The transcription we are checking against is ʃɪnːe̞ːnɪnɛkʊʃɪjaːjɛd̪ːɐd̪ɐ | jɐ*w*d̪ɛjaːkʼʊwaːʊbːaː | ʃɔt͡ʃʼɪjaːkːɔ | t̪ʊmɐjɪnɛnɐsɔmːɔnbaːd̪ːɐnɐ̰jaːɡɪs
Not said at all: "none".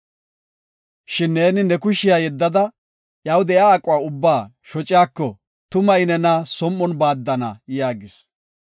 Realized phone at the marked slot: w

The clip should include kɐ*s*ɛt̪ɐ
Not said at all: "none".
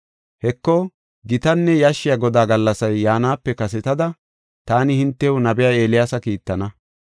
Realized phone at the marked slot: s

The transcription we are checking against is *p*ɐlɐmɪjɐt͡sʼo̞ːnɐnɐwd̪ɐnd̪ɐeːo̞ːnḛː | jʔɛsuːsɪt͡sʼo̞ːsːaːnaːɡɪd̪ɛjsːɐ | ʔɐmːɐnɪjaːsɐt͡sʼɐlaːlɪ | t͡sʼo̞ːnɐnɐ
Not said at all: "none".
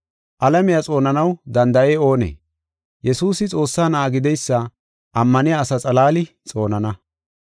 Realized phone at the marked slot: ʔ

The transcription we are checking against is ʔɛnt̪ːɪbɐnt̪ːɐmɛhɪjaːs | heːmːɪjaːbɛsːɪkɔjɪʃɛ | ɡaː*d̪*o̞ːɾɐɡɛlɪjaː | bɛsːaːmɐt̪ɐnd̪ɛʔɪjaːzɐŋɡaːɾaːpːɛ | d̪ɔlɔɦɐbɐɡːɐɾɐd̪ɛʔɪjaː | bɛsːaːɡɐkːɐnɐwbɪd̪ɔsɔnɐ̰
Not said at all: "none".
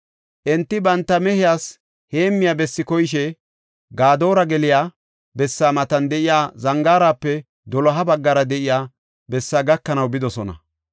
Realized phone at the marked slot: d̪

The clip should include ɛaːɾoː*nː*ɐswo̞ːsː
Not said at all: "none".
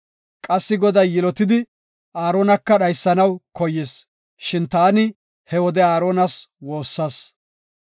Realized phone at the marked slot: n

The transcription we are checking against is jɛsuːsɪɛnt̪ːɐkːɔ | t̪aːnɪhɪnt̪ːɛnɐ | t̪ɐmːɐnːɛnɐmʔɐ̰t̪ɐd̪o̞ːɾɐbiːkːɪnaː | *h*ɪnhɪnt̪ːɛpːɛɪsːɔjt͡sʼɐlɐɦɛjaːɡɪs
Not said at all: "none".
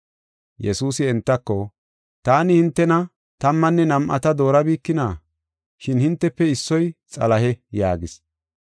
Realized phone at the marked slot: ʃ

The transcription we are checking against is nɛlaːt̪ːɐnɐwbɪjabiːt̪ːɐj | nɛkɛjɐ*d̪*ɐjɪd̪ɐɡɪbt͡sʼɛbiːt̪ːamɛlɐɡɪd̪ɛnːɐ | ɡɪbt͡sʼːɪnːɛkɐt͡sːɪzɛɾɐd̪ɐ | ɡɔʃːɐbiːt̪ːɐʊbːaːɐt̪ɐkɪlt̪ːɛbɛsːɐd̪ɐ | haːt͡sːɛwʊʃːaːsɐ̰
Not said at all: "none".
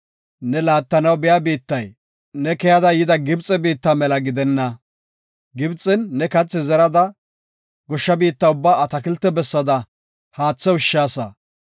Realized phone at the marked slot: d̪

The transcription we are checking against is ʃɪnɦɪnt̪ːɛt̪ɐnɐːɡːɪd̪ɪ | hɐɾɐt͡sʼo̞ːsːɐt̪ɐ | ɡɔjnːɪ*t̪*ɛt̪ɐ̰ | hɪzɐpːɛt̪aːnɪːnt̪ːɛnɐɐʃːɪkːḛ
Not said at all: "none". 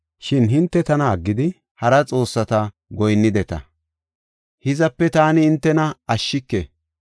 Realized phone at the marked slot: d̪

